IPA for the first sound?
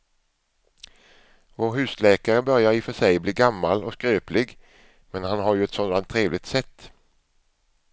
v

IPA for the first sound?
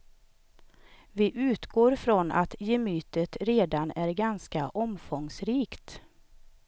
v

